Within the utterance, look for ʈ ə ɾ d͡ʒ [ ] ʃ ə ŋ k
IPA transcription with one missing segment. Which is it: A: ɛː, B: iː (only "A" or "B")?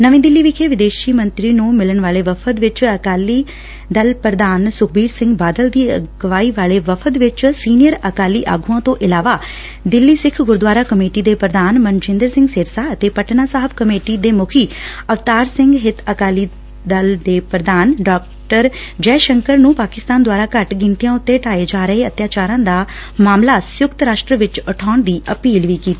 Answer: A